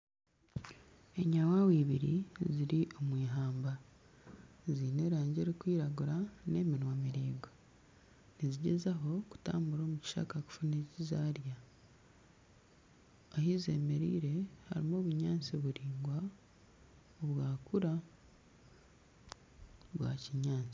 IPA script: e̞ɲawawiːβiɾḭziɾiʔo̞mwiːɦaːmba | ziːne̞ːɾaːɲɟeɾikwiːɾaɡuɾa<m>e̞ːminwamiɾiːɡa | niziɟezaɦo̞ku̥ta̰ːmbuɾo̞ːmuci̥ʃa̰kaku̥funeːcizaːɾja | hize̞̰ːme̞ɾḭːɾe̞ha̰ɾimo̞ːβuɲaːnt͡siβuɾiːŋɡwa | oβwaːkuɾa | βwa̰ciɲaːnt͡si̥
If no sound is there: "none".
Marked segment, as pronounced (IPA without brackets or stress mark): n